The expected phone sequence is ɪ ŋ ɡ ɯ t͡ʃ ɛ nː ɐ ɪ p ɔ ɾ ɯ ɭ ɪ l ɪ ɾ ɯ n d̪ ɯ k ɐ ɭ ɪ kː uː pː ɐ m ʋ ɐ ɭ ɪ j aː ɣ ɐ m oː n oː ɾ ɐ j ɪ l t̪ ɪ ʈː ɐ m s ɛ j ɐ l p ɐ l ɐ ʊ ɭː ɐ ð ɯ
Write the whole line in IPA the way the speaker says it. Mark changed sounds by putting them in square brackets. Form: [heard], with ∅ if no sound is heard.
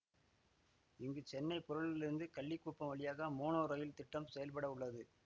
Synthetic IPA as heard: ɪ ŋ ɡ ɯ t͡ʃ ɛ nː ɐ ɪ p ɔ ɾ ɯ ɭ ɪ l ɪ ɾ ɯ n d̪ ɯ k ɐ [ɭː] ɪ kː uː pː ɐ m ʋ ɐ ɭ ɪ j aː ɣ ɐ m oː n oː ɾ ɐ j ɪ l t̪ ɪ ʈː ɐ m s ɛ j ɐ l p ɐ [ɽ] ɐ ʊ ɭː ɐ ð ɯ